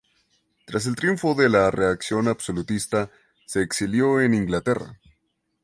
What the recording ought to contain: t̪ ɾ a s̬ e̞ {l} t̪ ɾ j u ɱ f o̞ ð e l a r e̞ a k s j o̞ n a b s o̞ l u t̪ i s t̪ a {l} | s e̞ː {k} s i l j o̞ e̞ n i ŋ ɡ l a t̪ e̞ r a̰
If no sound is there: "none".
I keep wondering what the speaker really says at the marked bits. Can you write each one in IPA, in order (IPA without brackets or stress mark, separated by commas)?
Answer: l, none, k